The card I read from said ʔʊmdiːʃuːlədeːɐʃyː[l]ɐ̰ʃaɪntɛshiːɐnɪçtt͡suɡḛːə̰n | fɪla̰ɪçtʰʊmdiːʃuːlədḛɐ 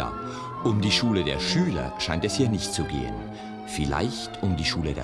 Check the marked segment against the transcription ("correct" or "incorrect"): correct